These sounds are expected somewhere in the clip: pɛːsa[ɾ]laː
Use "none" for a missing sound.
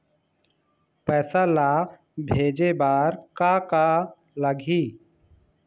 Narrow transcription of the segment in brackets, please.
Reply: none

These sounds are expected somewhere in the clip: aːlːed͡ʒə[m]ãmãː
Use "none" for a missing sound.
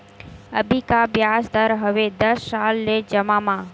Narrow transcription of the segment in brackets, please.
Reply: m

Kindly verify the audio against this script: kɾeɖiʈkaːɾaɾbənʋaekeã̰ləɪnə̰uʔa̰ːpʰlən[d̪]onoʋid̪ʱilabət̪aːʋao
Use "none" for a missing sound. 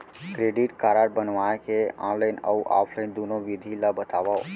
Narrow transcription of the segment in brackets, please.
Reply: d̪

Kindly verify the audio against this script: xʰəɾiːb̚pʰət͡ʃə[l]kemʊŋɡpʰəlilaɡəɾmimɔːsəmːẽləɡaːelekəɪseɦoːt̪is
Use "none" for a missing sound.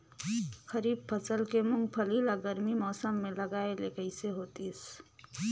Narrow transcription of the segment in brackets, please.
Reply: l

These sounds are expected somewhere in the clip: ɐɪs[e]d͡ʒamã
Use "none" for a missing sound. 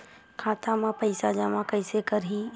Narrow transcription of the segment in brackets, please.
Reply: a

